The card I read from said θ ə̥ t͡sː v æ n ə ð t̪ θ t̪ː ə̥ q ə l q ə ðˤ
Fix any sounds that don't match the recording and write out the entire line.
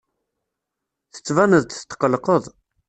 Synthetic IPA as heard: θ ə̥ t͡sː v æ n ə ð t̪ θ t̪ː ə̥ q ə l q ə ðˤ